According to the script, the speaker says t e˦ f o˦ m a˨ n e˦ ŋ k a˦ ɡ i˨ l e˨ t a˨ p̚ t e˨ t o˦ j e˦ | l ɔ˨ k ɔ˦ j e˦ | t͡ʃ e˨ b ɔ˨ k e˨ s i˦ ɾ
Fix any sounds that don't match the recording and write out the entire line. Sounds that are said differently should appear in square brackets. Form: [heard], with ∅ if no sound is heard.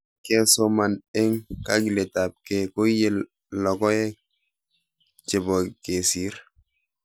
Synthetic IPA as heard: [k] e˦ [s] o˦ m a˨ n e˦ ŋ k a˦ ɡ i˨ l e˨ t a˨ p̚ [k] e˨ [k] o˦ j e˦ | l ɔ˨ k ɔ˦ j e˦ | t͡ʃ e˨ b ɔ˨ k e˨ s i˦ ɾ